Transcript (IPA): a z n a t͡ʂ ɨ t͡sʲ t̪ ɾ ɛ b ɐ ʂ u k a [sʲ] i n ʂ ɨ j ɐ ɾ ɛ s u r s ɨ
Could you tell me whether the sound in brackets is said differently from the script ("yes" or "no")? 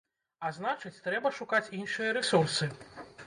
yes